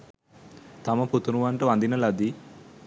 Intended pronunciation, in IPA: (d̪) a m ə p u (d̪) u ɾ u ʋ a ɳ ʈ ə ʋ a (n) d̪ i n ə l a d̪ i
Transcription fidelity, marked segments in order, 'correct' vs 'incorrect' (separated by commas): incorrect, incorrect, correct